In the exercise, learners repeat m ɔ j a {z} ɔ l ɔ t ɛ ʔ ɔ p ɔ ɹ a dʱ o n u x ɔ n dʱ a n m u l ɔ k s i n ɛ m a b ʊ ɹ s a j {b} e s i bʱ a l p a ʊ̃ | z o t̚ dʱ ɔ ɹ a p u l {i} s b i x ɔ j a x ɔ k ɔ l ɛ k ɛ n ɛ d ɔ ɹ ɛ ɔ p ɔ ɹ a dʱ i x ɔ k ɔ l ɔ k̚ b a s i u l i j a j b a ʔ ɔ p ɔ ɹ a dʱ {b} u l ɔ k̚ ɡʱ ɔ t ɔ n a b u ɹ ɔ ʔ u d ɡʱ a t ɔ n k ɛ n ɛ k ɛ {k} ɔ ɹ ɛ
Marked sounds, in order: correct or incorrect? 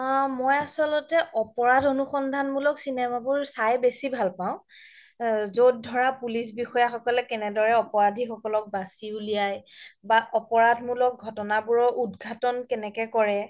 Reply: incorrect: s, correct, correct, incorrect: m, correct

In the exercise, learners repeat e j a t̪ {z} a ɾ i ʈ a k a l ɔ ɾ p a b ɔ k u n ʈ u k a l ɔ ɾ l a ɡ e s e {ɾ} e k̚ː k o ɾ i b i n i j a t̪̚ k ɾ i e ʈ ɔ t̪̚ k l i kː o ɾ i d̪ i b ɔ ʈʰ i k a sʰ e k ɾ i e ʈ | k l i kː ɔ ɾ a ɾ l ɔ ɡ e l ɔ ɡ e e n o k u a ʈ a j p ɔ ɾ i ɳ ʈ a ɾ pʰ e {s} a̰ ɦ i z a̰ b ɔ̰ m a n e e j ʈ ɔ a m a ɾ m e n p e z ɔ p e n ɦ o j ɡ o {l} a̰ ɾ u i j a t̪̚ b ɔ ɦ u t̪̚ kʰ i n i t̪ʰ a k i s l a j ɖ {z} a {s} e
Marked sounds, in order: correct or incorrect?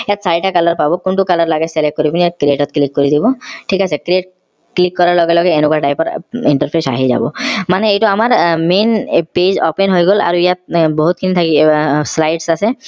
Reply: incorrect: s, incorrect: l, correct, correct, incorrect: s, correct

